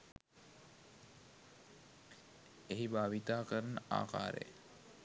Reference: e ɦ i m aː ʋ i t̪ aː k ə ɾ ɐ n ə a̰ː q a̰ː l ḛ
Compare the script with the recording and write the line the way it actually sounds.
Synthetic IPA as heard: e ɦ i b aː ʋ i t̪ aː k ə ɾ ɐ n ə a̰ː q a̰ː ɾ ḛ